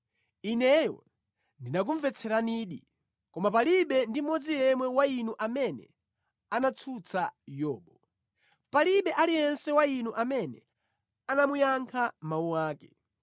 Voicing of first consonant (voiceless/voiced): voiced